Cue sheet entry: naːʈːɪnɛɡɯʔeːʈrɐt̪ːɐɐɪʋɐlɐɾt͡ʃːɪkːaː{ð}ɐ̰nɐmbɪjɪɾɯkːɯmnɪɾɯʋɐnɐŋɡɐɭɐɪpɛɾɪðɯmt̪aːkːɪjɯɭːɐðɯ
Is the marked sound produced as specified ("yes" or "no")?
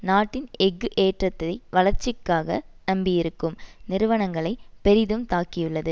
no